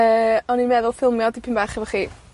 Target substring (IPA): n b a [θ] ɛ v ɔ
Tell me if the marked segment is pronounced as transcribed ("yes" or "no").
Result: no